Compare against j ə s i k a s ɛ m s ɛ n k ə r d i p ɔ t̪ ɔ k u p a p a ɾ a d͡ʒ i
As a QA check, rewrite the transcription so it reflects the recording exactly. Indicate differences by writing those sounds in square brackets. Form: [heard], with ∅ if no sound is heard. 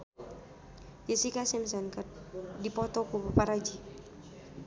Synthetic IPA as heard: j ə s i k a s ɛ m s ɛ n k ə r d i p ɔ t̪ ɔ k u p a p a ɾ a d͡ʒ i